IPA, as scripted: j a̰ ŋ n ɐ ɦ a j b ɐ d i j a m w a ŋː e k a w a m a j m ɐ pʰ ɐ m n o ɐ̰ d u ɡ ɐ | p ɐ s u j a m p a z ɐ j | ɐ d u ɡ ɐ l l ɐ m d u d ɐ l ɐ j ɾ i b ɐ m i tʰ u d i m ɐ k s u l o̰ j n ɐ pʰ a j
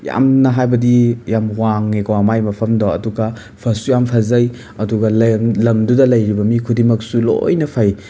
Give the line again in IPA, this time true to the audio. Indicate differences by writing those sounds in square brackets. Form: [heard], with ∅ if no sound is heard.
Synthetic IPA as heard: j a̰ [m] n ɐ ɦ a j b ɐ d i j a m w a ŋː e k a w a m a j m ɐ pʰ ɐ m [d] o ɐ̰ d u ɡ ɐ | [pʰ] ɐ s u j a m [pʰ] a z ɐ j | ɐ d u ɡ ɐ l l ɐ m d u d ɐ l ɐ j ɾ i b ɐ m i [kʰ] u d i m ɐ k s u l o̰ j n ɐ pʰ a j